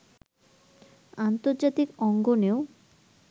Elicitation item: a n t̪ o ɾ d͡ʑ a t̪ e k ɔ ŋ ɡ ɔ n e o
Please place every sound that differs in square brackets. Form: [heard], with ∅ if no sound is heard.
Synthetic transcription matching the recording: a n t̪ o ɾ d͡ʑ a t̪ [i] k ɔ ŋ ɡ [o] n e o